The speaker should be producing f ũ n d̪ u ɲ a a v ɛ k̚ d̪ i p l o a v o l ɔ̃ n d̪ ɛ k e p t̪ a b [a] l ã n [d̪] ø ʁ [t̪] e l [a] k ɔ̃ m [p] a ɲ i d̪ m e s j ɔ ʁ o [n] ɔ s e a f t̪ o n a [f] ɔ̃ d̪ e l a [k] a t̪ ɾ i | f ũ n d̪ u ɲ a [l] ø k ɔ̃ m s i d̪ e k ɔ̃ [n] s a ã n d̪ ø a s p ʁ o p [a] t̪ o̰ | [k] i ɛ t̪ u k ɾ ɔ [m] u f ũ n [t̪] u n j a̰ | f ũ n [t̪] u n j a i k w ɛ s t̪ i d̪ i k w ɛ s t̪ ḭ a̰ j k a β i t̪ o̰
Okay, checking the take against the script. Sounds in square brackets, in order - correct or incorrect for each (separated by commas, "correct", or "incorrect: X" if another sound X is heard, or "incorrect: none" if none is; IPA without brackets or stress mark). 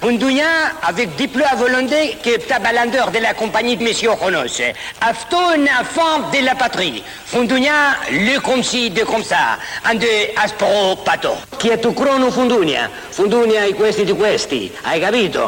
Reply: correct, correct, incorrect: d̪, correct, correct, correct, correct, incorrect: p, correct, incorrect: m, correct, correct, incorrect: n, incorrect: d̪, incorrect: d̪